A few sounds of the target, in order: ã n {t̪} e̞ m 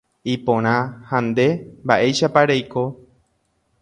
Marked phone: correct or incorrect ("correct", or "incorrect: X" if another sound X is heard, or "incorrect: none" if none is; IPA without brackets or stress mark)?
incorrect: d̪